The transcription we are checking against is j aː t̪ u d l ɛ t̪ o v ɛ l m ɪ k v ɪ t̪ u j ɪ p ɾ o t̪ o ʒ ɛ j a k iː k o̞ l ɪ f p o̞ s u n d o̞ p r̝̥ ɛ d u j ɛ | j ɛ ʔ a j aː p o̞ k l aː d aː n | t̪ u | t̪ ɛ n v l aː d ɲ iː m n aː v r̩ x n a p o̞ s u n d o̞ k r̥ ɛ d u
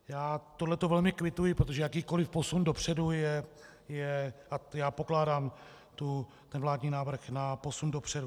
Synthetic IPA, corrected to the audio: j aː t̪ o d l ɛ t̪ o v ɛ l m ɪ k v ɪ t̪ u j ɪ p ɾ o t̪ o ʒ ɛ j a k iː k o̞ l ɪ f p o̞ s u n d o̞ p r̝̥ ɛ d u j ɛ | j ɛ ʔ a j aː p o̞ k l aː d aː m | t̪ u | t̪ ɛ n v l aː d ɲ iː n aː v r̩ x n a p o̞ s u n d o̞ p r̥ ɛ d u